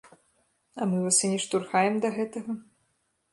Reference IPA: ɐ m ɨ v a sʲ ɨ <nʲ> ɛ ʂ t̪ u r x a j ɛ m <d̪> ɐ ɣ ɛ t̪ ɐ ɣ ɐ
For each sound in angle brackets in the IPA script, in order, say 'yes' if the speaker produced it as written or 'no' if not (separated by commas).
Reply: yes, yes